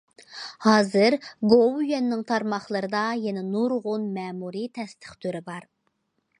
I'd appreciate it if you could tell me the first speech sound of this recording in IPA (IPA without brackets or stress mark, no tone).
h